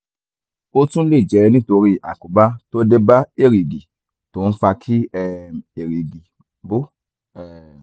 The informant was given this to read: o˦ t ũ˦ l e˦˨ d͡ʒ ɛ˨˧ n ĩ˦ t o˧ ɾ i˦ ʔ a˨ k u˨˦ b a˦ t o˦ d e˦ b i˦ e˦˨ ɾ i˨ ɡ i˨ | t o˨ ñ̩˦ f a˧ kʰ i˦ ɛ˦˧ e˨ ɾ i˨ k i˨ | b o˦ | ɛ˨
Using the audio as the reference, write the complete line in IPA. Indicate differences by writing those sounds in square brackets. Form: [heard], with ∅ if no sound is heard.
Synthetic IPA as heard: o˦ t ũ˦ l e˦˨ d͡ʒ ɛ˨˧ n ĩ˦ t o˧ ɾ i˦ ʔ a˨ k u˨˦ b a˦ t o˦ d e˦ b [a˦] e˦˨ ɾ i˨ ɡ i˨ | t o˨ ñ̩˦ f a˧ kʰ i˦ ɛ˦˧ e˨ ɾ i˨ [ɡ] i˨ | b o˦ | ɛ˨